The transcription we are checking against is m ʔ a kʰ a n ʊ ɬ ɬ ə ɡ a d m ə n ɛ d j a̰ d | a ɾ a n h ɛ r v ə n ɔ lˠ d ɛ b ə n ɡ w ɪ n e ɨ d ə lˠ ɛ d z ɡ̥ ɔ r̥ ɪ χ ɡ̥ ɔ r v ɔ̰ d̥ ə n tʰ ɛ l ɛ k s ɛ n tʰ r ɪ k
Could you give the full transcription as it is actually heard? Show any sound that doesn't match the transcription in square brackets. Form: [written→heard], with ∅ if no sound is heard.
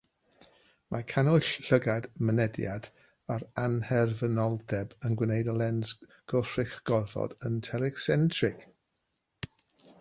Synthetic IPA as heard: m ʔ a kʰ a n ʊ ɬ ɬ ə ɡ a d m ə n ɛ d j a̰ d | a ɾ a n h ɛ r v ə n ɔ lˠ d ɛ b ə n ɡ w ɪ n e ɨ d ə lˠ ɛ [d→n] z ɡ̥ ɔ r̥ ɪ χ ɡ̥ ɔ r v ɔ̰ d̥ ə n tʰ ɛ l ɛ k s ɛ n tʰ r ɪ k